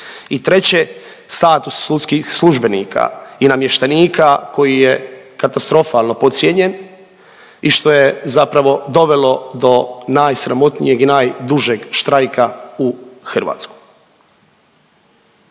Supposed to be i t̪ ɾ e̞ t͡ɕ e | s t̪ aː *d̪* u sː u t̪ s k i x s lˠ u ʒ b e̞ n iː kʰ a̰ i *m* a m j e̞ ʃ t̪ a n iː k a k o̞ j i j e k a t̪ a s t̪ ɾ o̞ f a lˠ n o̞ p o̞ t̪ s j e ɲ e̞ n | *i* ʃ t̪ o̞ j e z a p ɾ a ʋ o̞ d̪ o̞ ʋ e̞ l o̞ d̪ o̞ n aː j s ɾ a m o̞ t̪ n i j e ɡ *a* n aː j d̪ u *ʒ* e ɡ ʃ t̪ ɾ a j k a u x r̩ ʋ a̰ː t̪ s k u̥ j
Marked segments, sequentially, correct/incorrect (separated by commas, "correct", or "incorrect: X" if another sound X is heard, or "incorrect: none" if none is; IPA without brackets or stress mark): incorrect: t̪, incorrect: n, correct, incorrect: i, correct